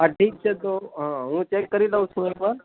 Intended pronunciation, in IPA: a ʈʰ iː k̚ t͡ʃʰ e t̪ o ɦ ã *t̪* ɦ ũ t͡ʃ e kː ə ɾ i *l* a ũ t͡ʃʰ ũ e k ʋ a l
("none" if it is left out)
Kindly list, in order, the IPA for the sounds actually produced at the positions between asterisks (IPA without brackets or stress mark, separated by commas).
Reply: none, l